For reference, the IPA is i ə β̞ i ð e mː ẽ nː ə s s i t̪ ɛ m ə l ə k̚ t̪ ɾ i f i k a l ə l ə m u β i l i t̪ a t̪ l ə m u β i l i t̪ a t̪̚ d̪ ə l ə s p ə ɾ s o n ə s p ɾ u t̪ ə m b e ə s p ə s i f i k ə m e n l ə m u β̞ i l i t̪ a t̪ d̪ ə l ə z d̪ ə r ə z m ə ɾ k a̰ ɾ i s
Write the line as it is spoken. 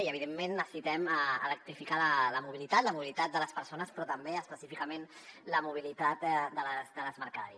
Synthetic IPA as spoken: i ə β̞ i ð e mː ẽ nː ə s s i t̪ ɛ m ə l ə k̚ t̪ ɾ i f i k a l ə l ə m u β i l i t̪ a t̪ l ə m u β i l i t̪ a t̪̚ d̪ ə l ə s p ə ɾ s o n ə s p ɾ ɔ t̪ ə m b e ə s p ə s i f i k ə m e n l ə m u β̞ i l i t̪ a t̪ d̪ ə l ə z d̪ ə l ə z m ə ɾ k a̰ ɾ i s